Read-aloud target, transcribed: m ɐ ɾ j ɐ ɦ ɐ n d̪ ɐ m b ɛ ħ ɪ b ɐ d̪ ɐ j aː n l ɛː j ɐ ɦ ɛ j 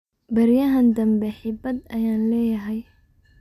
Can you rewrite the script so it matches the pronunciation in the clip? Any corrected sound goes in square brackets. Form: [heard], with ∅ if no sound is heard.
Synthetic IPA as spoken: [b] ɐ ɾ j ɐ ɦ ɐ n d̪ ɐ m b ɛ ħ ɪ b ɐ d̪ ɐ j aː n l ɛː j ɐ ɦ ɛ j

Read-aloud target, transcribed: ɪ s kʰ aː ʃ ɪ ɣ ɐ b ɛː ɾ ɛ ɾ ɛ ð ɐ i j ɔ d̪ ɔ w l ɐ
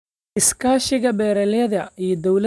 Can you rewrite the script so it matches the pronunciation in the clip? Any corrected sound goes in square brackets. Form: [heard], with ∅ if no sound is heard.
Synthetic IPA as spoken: ɪ s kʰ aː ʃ ɪ ɣ ɐ b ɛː ɾ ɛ [l] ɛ ð ɐ i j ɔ d̪ ɔ w l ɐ

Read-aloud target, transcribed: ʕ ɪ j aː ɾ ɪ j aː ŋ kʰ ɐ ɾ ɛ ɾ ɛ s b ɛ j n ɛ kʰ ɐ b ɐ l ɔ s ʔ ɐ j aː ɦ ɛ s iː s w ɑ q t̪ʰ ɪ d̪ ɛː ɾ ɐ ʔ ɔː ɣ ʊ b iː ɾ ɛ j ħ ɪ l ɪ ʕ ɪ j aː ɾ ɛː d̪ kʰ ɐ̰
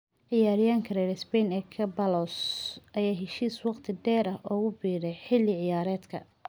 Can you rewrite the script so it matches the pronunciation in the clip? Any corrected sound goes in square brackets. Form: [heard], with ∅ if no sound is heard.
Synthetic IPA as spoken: ʕ ɪ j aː ɾ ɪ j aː ŋ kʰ ɐ ɾ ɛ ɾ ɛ s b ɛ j n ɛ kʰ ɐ b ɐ l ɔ s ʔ ɐ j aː ɦ ɛ [ʃ] iː s w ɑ q t̪ʰ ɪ d̪ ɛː ɾ ɐ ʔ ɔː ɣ ʊ b iː ɾ ɛ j ħ ɪ l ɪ ʕ ɪ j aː ɾ ɛː d̪ kʰ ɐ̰

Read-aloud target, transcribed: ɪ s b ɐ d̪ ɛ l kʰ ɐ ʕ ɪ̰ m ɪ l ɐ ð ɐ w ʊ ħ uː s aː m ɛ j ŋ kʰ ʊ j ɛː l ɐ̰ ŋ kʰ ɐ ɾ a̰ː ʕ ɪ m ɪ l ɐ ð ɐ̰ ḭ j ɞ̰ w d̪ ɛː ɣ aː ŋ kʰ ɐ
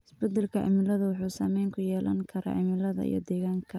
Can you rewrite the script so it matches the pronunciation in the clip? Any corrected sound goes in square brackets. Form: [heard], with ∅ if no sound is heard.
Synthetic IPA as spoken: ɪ s b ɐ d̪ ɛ l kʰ ɐ ʕ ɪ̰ m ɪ l ɐ ð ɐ w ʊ ħ uː s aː m ɛ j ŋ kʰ ʊ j ɛː l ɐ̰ ŋ kʰ ɐ ɾ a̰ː ʕ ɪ m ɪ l ɐ ð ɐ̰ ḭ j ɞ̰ [∅] d̪ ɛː ɣ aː ŋ kʰ ɐ

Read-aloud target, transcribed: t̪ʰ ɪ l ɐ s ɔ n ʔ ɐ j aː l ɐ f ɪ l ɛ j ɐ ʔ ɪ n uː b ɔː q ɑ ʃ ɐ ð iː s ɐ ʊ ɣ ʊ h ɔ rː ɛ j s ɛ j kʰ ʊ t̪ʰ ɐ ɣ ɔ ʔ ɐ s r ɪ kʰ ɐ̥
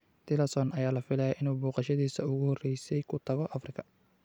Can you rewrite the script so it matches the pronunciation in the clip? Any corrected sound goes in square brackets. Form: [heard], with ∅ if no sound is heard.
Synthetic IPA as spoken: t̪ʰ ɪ l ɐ s ɔ n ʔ ɐ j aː l ɐ f ɪ l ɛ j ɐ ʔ ɪ n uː b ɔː q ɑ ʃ ɐ ð iː s ɐ ʊ ɣ ʊ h ɔ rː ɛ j s ɛ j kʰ ʊ t̪ʰ ɐ ɣ ɔ ʔ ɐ [f] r ɪ kʰ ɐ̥

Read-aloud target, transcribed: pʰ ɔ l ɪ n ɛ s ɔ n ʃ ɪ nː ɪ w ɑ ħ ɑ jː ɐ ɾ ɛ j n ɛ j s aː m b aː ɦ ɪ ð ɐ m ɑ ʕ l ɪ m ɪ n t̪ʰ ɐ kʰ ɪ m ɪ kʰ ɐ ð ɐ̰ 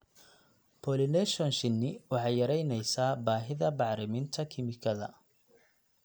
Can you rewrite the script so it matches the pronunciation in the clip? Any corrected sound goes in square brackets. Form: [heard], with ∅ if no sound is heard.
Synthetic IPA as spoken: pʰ ɔ l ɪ n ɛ [ʃ] ɔ n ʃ ɪ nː ɪ w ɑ ħ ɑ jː ɐ ɾ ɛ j n ɛ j s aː [∅] b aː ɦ ɪ ð ɐ [b] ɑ ʕ [ɾ] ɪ m ɪ n t̪ʰ ɐ kʰ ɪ m ɪ kʰ ɐ ð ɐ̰

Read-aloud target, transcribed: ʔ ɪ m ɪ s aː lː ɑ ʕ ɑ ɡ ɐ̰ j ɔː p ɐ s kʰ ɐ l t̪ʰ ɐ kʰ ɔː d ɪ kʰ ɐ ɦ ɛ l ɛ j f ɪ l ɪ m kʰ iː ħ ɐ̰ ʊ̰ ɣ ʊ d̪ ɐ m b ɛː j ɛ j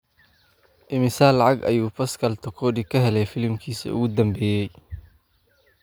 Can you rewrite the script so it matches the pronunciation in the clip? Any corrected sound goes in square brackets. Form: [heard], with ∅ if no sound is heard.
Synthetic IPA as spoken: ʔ ɪ m ɪ s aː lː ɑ ʕ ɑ ɡ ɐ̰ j [uː] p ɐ s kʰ ɐ l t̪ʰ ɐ kʰ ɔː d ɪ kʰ ɐ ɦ ɛ l ɛ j f ɪ l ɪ m kʰ iː [s] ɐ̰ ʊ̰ ɣ ʊ d̪ ɐ m b ɛː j ɛ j

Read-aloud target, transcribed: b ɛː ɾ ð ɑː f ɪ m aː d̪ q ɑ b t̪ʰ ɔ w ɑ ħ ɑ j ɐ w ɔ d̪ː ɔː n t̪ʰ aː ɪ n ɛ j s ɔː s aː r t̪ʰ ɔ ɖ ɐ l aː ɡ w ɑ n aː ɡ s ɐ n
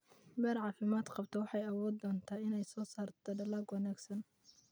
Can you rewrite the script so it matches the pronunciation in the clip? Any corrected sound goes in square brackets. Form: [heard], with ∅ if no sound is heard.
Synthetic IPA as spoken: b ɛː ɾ [ʕ] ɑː f ɪ m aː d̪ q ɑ b t̪ʰ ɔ w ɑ ħ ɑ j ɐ w [ɔː] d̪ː ɔː n t̪ʰ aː ɪ n ɛ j s ɔː s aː r t̪ʰ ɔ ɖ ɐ l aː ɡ w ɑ n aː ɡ s ɐ n

